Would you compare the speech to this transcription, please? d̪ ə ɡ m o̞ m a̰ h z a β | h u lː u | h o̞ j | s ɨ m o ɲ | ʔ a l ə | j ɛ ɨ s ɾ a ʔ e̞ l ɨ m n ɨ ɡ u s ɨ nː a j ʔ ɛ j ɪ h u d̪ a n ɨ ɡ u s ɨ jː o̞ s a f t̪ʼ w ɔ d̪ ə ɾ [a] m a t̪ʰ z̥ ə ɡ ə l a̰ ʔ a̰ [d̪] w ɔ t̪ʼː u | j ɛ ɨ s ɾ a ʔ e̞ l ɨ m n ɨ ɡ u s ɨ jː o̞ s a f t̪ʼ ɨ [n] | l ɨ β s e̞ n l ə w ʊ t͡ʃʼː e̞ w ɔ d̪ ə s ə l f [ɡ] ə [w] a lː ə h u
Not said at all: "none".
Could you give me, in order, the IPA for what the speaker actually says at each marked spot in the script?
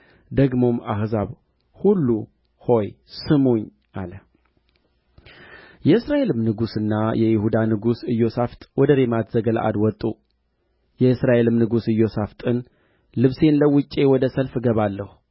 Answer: e, d̪, n, ɡ, β

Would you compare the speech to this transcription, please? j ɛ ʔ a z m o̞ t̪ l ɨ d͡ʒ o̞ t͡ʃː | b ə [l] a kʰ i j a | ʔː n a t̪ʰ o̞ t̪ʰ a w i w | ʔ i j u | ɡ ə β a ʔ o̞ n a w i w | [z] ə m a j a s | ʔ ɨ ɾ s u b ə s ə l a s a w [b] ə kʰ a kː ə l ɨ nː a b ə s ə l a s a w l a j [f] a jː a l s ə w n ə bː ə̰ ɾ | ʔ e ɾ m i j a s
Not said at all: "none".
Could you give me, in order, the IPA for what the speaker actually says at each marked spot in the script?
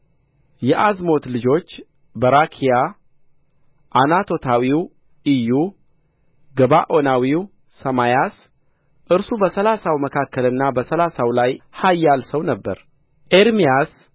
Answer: ɾ, s, m, h

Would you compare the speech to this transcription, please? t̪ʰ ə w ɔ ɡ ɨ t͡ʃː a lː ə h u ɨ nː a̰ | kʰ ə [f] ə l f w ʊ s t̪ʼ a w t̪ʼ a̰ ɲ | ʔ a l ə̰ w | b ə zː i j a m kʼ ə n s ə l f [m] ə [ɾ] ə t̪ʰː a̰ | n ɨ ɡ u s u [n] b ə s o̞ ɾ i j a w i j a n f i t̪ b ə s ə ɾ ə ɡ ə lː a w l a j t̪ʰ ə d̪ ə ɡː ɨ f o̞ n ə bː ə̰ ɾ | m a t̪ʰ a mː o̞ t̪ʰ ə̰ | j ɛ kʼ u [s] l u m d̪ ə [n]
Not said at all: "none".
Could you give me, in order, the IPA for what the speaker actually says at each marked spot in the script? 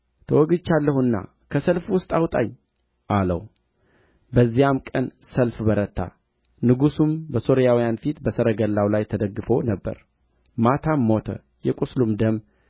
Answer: s, b, ɾ, m, s, m

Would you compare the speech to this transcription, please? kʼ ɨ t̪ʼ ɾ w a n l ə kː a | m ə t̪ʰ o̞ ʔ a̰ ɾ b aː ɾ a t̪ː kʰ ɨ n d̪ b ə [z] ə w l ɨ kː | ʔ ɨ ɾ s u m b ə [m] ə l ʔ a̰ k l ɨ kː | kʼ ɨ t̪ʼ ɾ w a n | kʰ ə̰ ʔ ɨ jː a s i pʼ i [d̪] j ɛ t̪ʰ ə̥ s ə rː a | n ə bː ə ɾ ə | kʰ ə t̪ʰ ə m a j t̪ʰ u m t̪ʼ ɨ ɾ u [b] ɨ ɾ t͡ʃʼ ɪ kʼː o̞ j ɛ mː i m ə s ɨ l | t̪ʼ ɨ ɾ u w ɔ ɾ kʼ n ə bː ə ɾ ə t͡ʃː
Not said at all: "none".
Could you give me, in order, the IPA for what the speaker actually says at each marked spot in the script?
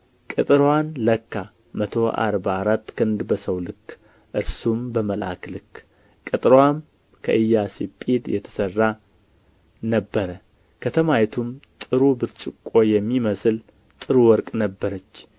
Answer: s, m, d̪, b

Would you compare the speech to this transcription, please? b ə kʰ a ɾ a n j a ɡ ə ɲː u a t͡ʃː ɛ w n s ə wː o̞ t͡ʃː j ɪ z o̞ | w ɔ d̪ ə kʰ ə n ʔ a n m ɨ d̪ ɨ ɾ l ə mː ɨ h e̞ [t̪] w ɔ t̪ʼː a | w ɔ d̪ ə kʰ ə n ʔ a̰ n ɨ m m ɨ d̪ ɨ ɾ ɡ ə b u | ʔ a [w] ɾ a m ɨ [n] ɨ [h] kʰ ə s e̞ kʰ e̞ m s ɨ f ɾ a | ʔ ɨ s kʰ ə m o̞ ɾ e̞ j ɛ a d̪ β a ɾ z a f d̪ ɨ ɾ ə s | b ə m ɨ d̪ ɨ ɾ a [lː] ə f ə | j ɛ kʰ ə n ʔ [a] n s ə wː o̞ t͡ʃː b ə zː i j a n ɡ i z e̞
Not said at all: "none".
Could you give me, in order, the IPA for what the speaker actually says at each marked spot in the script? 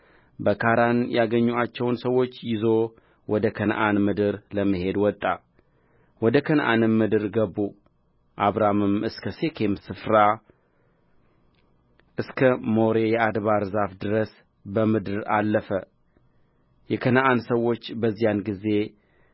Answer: d̪, β, m, s, lː, a

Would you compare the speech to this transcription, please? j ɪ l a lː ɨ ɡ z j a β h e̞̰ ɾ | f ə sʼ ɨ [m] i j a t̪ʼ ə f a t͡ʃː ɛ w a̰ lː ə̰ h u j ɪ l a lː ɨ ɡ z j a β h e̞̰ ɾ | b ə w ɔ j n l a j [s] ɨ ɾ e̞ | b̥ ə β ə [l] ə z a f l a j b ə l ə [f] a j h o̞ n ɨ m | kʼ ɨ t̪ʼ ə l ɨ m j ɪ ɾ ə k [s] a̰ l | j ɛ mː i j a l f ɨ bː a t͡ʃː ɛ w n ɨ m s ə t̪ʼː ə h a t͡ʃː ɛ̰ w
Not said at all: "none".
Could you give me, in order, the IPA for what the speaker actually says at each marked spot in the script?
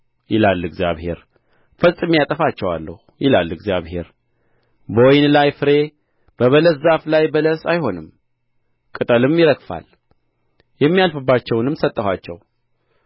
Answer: m, f, l, s, f

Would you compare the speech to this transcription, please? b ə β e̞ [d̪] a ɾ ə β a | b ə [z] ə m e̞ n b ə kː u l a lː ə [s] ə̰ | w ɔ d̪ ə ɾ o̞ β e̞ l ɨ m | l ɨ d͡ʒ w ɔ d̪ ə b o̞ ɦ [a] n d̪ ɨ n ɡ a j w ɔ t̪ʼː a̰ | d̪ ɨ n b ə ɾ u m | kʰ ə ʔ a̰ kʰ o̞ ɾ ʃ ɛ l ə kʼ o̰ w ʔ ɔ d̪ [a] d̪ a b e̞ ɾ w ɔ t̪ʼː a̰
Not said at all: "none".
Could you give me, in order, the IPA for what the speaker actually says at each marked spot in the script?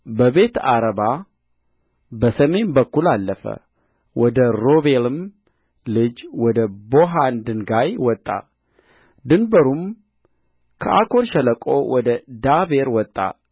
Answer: t̪, s, f, a, ə

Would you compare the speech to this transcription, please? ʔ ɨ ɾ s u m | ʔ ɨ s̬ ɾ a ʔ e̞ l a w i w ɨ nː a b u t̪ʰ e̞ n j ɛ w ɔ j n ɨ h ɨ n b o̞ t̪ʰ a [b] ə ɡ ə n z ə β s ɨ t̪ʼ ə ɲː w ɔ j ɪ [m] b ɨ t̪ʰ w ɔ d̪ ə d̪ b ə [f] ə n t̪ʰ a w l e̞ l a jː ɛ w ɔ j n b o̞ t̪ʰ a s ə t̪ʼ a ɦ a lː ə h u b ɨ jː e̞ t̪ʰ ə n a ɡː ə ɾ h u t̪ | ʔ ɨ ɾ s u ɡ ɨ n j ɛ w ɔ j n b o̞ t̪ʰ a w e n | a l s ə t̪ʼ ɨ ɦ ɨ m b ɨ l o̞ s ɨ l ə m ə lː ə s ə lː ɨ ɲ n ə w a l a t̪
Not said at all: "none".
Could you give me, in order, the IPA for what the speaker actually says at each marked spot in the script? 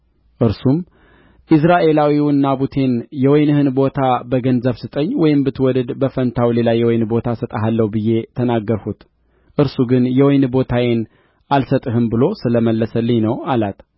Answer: b, m, f

